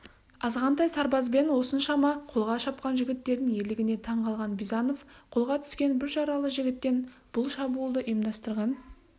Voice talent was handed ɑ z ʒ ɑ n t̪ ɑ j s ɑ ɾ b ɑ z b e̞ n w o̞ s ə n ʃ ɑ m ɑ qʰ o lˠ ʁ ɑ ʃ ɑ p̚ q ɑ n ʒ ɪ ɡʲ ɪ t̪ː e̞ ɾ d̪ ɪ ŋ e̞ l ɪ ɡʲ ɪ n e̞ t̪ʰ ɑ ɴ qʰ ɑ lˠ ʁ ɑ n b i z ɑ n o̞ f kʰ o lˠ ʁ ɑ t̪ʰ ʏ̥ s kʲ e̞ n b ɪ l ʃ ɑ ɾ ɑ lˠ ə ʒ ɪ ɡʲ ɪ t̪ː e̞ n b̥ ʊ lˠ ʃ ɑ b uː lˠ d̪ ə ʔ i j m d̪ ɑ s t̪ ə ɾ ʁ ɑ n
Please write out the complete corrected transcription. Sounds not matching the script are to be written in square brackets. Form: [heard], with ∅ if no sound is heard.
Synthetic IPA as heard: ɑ z [ʁ] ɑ n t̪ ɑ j s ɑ ɾ b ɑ z b e̞ n w o̞ s ə n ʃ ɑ m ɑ qʰ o lˠ ʁ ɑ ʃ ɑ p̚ q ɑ n ʒ ɪ ɡʲ ɪ t̪ː e̞ ɾ d̪ ɪ ŋ e̞ l ɪ ɡʲ ɪ n e̞ t̪ʰ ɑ ɴ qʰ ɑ lˠ ʁ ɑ n b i z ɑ n o̞ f [qʰ] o lˠ ʁ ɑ t̪ʰ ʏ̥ s kʲ e̞ n b ɪ [ɾ] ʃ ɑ ɾ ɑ lˠ ə ʒ ɪ ɡʲ ɪ t̪ː e̞ n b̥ ʊ lˠ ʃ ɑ b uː lˠ d̪ ə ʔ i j m d̪ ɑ s t̪ ə ɾ ʁ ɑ n